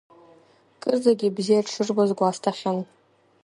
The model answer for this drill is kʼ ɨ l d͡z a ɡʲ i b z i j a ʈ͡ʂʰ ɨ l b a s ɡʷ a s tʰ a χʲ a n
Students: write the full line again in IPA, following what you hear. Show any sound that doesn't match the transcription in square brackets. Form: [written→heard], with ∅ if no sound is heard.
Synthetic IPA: kʼ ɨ [l→r] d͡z a ɡʲ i b z i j a ʈ͡ʂʰ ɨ [l→r] b a [s→z] ɡʷ a s tʰ a χʲ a n